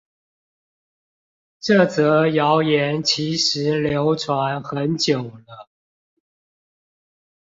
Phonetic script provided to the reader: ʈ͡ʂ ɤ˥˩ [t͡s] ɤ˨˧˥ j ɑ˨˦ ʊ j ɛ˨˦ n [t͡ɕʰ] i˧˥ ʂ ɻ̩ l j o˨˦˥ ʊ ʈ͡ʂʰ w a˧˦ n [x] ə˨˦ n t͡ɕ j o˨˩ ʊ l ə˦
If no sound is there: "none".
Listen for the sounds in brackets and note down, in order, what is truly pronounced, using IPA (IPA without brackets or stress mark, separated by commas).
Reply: t͡s, t͡ɕʰ, x